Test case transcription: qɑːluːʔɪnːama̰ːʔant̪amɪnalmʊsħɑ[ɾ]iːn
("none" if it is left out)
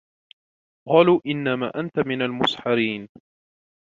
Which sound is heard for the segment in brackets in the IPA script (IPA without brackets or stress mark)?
ɾ